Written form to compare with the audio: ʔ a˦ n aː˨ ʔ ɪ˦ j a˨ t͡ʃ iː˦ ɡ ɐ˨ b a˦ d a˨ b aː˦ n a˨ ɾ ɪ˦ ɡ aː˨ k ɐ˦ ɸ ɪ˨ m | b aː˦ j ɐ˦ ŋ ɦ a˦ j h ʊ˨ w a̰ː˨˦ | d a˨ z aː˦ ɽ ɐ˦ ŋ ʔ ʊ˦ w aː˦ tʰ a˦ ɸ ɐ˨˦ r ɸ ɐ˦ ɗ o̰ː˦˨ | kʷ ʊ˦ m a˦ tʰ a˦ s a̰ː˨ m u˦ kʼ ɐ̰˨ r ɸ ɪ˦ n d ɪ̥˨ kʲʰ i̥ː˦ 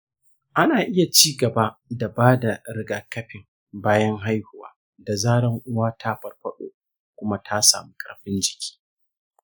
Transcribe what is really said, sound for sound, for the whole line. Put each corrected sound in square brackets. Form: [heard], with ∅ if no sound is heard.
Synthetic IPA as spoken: ʔ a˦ n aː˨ ʔ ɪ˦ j a˨ t͡ʃ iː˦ ɡ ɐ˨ b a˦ d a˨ b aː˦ [d] a˨ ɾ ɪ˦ ɡ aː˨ k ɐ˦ ɸ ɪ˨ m | b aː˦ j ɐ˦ ŋ ɦ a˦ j h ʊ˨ w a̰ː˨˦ | d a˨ z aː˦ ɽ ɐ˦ ŋ ʔ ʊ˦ w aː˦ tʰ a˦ ɸ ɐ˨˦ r ɸ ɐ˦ ɗ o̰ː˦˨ | kʷ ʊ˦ m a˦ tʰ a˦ s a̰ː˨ m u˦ kʼ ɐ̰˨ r ɸ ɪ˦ n [d͡ʒ] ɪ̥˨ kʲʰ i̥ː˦